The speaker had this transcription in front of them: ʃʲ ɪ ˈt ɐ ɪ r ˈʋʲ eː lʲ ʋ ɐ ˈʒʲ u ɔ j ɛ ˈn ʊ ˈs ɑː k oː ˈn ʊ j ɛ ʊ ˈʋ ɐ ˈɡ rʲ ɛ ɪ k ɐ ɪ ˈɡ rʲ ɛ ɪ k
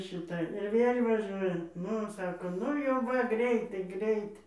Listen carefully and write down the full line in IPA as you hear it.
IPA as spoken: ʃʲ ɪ ˈt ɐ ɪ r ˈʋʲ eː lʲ ʋ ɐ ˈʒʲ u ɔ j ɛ ˈn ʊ ˈs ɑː k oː ˈn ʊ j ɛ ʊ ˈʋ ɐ ˈɡ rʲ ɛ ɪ t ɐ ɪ ˈɡ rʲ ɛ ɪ t